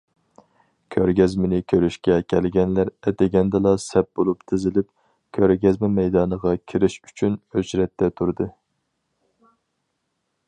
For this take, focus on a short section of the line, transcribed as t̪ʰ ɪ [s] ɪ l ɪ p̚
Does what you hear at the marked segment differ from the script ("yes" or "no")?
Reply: yes